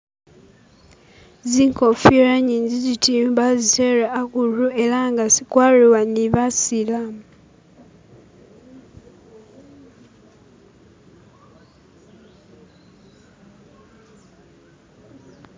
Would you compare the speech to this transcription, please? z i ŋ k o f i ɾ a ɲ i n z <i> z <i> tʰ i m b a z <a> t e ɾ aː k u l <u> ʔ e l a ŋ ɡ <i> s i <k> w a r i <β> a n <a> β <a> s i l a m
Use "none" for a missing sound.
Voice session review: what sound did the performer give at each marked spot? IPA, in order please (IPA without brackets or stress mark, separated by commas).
i, i, i, u, a, k, w, i, a